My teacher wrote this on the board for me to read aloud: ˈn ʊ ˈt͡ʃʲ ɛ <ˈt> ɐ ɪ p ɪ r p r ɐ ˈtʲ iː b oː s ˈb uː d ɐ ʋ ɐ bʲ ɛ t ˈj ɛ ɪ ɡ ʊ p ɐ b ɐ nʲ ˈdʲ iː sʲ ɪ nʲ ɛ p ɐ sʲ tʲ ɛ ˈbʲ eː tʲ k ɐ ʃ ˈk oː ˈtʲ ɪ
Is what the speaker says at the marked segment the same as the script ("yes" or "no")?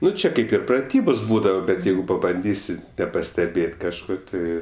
no